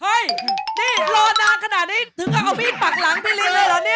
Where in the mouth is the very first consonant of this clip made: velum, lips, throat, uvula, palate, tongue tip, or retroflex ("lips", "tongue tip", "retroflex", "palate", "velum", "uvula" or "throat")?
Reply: throat